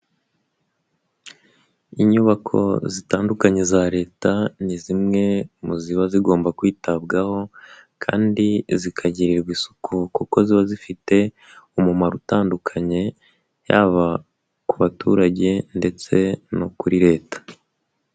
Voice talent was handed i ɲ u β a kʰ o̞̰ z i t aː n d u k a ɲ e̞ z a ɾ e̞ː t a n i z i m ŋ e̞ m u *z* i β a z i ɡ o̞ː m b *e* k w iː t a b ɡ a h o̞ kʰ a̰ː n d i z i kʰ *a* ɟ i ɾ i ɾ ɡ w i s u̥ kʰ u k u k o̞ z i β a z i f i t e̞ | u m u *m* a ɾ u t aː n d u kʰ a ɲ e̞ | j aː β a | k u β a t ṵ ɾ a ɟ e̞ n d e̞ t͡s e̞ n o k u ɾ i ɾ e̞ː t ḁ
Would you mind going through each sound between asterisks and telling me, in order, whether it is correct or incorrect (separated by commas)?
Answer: correct, incorrect, correct, correct